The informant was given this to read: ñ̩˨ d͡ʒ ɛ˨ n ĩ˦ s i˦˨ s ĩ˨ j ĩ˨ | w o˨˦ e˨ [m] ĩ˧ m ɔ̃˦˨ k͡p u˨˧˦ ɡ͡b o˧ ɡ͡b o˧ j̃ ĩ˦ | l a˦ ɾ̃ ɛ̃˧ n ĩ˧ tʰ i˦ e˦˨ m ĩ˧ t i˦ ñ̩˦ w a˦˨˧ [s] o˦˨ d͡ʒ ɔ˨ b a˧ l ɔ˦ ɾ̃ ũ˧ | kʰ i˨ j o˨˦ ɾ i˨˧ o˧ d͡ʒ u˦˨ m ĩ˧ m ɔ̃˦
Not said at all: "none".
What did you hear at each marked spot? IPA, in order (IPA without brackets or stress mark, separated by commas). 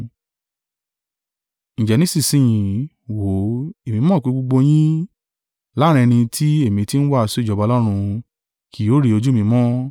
m, s